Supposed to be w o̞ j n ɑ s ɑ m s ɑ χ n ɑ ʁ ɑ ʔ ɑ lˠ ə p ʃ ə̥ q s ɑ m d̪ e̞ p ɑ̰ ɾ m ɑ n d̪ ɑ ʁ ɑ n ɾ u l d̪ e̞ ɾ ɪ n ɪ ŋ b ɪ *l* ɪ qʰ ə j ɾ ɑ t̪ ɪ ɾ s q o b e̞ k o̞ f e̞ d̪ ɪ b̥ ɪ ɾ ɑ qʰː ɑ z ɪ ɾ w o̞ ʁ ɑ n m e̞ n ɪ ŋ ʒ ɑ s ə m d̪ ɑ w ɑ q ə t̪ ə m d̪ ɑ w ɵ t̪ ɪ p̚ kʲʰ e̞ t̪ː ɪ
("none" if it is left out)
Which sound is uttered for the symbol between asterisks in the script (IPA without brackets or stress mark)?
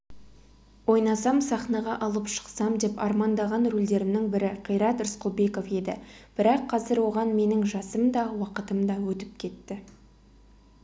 ɾ